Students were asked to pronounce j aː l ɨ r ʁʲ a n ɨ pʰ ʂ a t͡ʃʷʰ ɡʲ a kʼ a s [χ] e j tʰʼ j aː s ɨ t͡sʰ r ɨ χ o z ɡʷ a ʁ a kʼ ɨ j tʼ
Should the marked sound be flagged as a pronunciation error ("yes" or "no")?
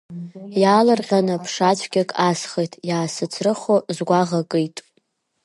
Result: no